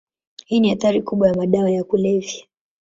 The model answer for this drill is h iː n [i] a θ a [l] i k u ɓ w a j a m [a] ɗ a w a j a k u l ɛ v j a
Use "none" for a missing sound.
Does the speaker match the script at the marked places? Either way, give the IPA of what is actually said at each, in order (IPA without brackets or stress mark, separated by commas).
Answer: i, ɾ, a